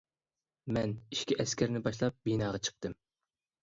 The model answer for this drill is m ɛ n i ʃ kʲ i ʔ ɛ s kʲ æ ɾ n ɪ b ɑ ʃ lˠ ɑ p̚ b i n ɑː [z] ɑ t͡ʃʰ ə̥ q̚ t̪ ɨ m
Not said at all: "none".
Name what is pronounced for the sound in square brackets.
ʁ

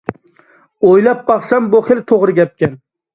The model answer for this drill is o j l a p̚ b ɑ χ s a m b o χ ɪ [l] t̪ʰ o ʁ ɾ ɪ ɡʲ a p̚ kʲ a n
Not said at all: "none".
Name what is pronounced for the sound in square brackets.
l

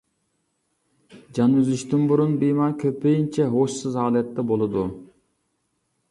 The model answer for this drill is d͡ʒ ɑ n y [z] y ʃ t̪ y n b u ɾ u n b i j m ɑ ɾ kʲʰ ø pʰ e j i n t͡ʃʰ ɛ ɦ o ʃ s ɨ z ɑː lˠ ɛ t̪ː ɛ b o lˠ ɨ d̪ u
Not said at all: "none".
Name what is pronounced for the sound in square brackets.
z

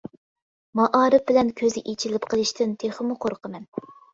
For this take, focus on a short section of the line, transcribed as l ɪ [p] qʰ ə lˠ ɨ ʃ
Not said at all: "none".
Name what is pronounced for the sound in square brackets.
p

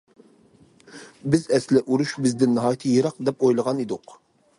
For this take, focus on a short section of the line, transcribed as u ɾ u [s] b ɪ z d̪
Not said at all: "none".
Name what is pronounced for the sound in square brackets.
ʃ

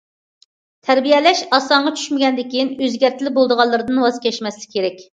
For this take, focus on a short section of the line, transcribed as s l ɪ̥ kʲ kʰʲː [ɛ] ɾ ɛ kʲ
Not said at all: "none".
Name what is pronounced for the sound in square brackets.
e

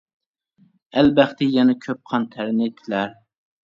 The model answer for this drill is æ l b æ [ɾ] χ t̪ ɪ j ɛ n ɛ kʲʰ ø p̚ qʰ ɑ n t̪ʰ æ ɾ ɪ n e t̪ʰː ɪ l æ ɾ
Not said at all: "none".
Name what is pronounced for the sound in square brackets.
none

